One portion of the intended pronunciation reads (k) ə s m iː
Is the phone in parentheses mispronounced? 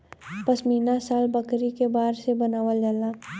yes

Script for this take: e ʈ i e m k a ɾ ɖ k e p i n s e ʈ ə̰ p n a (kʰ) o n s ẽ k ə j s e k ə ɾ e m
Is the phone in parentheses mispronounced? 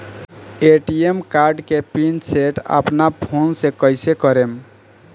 yes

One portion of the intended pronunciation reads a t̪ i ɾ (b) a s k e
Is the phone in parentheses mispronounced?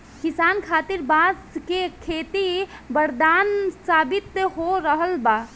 no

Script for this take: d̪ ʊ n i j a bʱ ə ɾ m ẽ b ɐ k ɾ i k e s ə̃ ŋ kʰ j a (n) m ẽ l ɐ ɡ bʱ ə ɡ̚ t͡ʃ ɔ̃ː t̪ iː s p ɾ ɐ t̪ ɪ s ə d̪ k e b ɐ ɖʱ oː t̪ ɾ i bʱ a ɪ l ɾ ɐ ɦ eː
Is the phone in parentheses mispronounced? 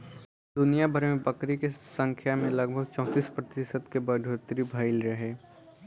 yes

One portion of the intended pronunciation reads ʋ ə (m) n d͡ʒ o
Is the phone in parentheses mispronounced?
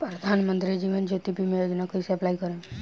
yes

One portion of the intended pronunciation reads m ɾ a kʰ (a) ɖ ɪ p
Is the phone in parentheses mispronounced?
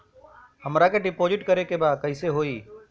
yes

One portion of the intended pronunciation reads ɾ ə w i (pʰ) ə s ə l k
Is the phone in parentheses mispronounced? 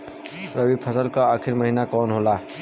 no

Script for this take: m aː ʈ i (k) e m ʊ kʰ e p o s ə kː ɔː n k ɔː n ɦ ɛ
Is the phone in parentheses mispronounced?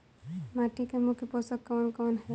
no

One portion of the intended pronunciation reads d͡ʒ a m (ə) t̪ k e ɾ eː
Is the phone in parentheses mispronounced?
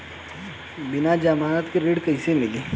yes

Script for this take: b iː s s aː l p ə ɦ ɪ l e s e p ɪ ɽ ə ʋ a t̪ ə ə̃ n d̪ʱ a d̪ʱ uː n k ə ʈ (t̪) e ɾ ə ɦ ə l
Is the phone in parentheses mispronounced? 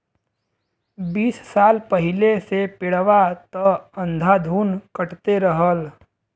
no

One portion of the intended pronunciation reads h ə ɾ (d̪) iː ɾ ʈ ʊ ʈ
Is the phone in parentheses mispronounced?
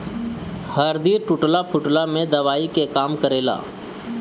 no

